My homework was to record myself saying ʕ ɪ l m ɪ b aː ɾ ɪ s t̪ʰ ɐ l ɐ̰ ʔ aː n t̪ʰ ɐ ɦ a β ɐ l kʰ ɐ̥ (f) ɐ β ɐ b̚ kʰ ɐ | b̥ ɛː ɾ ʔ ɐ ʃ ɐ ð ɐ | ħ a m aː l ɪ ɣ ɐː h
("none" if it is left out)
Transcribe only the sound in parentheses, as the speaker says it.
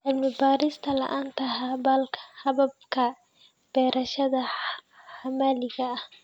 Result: h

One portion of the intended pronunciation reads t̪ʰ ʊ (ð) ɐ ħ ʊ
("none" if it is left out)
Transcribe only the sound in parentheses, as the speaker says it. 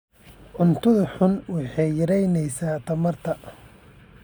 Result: ð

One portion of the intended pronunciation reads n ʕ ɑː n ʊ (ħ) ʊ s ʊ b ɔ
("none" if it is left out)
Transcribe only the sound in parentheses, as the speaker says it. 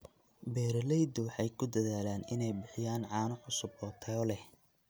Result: ħ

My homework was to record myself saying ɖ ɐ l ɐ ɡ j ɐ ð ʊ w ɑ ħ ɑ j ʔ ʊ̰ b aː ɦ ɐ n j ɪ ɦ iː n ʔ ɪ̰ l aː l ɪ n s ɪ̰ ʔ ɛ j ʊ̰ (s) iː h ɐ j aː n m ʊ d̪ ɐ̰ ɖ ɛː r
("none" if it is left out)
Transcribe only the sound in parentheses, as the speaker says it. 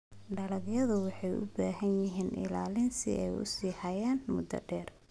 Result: s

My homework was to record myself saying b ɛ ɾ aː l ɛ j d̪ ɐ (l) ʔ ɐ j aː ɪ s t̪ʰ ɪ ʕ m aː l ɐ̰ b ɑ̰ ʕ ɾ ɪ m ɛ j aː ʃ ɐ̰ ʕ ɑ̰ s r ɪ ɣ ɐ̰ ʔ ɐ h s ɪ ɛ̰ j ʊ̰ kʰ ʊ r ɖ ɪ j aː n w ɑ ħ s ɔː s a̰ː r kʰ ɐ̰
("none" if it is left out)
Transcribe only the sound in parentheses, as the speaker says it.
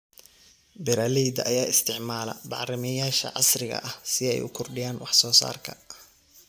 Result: none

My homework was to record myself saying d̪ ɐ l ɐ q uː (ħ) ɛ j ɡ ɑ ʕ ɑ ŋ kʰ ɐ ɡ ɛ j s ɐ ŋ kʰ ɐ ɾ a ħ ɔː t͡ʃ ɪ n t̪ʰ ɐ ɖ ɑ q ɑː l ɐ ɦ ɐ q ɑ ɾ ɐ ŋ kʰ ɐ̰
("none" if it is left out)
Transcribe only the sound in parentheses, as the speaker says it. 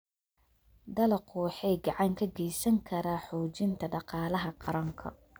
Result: ħ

